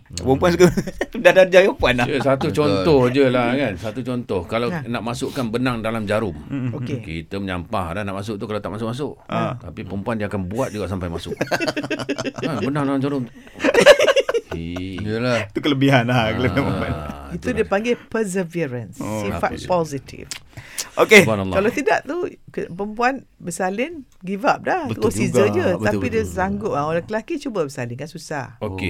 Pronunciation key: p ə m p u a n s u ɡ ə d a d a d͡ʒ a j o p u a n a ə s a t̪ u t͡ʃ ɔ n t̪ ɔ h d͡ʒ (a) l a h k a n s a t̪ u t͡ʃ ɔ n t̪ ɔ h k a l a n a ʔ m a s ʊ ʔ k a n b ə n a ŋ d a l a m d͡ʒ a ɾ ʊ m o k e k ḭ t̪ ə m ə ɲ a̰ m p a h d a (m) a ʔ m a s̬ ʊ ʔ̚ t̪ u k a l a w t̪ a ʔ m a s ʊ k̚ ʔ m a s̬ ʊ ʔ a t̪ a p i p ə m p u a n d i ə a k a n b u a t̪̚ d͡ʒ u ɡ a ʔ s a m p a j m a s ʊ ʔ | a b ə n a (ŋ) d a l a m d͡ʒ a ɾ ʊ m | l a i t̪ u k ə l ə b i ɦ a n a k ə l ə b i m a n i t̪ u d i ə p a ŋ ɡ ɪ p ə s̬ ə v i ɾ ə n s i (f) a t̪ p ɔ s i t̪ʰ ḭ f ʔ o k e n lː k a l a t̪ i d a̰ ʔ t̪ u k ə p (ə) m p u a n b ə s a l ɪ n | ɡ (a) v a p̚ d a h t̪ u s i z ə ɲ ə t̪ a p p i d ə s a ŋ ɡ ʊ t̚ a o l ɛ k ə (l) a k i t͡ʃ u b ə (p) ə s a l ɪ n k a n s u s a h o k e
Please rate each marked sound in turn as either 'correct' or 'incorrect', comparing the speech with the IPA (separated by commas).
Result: incorrect, incorrect, correct, correct, correct, incorrect, correct, incorrect